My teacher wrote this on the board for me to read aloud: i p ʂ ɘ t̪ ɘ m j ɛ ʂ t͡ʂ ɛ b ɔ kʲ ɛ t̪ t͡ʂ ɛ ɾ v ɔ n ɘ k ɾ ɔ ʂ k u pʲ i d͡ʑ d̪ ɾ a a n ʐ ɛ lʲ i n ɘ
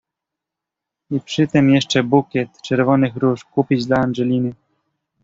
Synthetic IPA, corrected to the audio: i p ʂ ɘ t̪ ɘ m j ɛ ʂ t͡ʂ ɛ b u kʲ ɛ t̪ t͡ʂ ɛ ɾ v ɔ n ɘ x ɾ u ʂ k u pʲ i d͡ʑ d̪ l a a n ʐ ɛ lʲ i n ɘ